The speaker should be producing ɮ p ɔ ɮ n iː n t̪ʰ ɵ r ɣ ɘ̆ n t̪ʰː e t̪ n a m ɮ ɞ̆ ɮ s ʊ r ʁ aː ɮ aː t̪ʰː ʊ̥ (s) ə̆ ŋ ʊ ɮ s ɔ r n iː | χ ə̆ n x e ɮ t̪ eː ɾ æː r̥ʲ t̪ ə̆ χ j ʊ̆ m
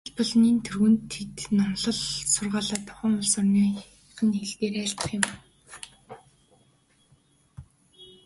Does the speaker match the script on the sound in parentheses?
no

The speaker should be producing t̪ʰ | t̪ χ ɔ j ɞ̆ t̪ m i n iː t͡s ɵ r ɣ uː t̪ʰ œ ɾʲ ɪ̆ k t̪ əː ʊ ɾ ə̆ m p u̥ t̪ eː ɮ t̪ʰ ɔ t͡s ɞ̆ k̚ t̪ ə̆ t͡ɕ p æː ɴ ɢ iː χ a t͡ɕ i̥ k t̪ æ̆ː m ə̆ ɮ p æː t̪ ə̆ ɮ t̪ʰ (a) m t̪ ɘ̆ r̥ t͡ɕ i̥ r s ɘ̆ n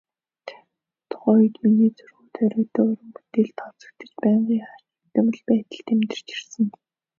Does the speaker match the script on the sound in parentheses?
no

